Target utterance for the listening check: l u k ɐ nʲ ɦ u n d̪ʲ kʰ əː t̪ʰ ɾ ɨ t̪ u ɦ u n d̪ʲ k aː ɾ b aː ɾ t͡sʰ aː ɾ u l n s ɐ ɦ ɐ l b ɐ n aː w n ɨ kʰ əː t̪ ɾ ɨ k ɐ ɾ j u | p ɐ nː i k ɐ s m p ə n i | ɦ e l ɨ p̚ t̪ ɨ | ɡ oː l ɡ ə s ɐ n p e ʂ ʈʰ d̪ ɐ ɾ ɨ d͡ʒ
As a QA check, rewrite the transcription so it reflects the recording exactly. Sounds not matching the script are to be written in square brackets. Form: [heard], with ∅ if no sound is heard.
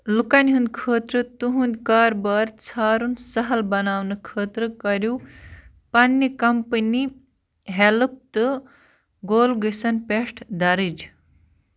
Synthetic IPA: l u k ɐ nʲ ɦ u n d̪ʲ kʰ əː [t̪] ɾ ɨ t̪ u ɦ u n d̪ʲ k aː ɾ b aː ɾ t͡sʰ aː ɾ u [∅] n s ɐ ɦ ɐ l b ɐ n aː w n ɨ kʰ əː t̪ ɾ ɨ k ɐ ɾ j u | p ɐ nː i k ɐ [∅] m p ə n i | ɦ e l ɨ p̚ t̪ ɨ | ɡ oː l ɡ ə s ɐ n p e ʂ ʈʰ d̪ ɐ ɾ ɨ d͡ʒ